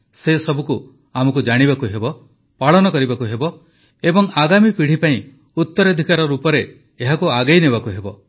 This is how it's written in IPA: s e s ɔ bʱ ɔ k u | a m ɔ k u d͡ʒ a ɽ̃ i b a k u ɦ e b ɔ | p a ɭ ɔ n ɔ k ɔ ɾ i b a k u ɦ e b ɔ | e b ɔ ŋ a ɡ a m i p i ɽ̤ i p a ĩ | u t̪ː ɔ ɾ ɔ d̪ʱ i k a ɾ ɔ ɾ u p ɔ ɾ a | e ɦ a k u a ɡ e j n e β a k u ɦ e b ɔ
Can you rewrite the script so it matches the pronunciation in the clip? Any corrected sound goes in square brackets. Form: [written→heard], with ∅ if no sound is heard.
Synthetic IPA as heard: s e s ɔ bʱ [ɔ→u] k u | a m ɔ k u d͡ʒ a ɽ̃ i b a k u ɦ e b ɔ | p a ɭ ɔ n ɔ k ɔ ɾ i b a k u ɦ e b ɔ | e b ɔ ŋ a ɡ a m i p i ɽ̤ i p a ĩ | u t̪ː ɔ ɾ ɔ d̪ʱ i k a ɾ ɔ ɾ u p ɔ ɾ [a→e] | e ɦ a k u a ɡ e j n e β a k u ɦ e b ɔ